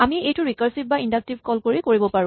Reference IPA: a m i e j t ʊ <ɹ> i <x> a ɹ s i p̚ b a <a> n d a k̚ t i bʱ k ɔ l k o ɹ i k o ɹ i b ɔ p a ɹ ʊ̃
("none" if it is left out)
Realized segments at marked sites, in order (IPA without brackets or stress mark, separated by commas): ɹ, k, i